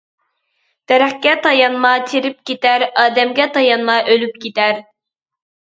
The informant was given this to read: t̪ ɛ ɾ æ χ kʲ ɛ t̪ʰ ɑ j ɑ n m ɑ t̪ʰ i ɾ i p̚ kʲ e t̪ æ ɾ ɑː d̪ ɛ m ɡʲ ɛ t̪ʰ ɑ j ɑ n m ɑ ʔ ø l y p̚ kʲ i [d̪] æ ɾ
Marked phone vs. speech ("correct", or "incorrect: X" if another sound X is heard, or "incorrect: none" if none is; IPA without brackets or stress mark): incorrect: t̪